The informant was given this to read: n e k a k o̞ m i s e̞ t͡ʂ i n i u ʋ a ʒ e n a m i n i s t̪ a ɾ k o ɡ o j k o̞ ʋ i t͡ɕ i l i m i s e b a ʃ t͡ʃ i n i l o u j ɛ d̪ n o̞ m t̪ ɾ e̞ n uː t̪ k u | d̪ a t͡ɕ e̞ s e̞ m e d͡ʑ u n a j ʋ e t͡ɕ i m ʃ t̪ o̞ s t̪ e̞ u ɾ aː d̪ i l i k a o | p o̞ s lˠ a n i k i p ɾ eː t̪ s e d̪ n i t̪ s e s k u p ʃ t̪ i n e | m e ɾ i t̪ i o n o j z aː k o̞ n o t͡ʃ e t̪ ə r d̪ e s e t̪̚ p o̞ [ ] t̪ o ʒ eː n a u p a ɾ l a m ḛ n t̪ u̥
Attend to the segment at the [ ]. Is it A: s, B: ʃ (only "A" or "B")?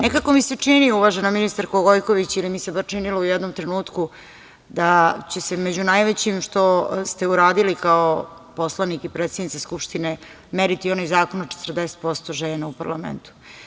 A